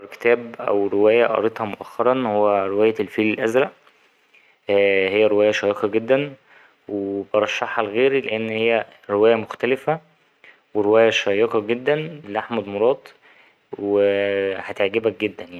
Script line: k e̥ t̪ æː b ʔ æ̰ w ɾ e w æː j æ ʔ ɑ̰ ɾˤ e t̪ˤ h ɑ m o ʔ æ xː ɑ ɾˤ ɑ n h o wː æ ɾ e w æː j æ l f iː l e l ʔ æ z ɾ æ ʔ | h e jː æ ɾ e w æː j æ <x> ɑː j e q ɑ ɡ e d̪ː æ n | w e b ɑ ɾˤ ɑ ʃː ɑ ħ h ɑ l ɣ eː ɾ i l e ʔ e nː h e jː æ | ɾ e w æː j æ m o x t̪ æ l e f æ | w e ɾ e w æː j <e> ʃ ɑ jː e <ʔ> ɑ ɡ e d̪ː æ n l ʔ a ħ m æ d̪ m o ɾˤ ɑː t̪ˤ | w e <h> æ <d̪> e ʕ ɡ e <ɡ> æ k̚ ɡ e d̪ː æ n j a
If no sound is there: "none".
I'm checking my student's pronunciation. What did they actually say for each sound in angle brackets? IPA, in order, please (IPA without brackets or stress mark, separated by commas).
ʃ, æ, q, h, t̪, b